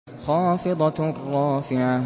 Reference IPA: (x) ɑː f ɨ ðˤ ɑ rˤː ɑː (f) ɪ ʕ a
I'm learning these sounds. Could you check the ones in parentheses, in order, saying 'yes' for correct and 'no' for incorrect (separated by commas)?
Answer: yes, yes